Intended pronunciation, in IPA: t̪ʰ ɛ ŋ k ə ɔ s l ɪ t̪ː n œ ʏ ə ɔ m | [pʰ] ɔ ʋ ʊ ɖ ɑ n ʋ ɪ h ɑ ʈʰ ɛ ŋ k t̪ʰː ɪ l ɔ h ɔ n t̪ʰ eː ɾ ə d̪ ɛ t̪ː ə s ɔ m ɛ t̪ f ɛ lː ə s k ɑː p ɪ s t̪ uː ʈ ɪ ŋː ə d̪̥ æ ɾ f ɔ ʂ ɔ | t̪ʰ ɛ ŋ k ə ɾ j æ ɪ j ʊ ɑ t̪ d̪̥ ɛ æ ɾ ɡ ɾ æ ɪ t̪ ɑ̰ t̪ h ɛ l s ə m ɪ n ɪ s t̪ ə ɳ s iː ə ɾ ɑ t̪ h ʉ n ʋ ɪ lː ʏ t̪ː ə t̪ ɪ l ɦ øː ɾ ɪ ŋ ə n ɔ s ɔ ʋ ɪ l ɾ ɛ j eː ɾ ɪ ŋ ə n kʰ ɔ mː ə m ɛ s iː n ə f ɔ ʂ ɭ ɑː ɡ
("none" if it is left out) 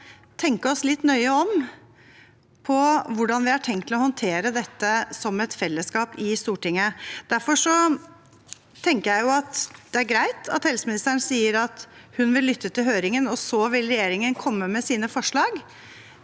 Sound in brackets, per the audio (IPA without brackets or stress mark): pʰ